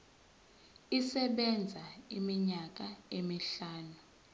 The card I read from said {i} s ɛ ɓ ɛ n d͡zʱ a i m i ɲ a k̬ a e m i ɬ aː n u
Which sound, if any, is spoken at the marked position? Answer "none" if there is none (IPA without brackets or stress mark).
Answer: i